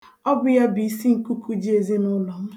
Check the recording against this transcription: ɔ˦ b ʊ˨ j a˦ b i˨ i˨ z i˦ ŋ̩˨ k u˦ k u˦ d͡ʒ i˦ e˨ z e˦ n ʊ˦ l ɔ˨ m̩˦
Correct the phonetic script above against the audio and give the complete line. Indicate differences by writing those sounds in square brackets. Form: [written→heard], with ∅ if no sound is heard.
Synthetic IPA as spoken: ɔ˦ b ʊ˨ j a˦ b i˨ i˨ [z→s] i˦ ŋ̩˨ k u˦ k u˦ d͡ʒ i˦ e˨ z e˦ n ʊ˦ l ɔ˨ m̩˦